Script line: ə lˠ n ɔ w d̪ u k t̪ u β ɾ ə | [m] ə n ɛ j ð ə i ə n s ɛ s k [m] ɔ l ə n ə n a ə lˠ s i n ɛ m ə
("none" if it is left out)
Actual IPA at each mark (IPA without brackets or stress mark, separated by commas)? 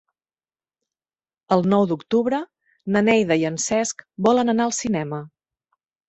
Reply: n, b